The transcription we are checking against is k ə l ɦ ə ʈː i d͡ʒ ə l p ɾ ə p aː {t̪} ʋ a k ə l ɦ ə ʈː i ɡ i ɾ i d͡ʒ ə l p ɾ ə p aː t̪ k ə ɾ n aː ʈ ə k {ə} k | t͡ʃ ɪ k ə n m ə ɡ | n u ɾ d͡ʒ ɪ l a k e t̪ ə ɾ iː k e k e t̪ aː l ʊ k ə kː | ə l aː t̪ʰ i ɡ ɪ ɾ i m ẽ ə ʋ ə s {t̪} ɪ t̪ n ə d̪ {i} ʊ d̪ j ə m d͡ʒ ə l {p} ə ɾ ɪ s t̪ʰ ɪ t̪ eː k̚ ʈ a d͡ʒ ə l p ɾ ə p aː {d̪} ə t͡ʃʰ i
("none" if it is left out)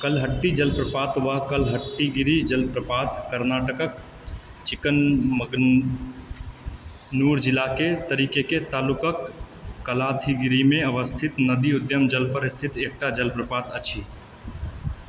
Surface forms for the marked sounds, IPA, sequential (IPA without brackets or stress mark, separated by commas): t̪, ə, t̪ʰ, i, p, t̪